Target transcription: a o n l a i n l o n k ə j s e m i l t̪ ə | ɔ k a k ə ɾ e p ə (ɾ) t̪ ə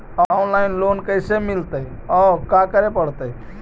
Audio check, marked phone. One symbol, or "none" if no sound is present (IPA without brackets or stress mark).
ɽ